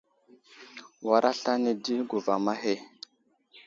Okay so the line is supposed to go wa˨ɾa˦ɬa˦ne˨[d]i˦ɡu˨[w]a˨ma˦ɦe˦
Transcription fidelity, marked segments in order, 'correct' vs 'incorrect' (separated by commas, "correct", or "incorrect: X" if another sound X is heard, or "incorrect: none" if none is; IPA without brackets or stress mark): correct, incorrect: v